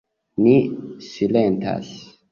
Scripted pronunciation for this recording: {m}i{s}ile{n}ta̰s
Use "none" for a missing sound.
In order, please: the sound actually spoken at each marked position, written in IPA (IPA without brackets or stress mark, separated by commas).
n, s, n